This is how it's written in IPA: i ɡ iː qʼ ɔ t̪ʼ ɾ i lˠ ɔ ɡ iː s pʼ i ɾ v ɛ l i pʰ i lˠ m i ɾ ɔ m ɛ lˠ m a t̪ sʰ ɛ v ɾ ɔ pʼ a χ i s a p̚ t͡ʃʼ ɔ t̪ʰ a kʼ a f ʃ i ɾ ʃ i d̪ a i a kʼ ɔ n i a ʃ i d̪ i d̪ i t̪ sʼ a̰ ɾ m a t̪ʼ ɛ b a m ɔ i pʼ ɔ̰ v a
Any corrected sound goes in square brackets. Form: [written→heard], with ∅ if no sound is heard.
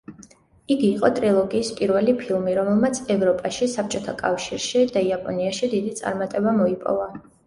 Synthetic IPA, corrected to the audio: i ɡ iː qʼ ɔ t̪ʼ ɾ i lˠ ɔ ɡ iː s pʼ i ɾ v ɛ l i pʰ i lˠ m i ɾ ɔ m ɛ lˠ m a t̪ sʰ ɛ v ɾ ɔ pʼ a [χ→ʃ] i s a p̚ t͡ʃʼ ɔ t̪ʰ a kʼ a f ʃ i ɾ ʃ i d̪ a i a [kʼ→pʼ] ɔ n i a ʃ i d̪ i d̪ i t̪ sʼ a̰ ɾ m a t̪ʼ ɛ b a m ɔ i pʼ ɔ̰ v a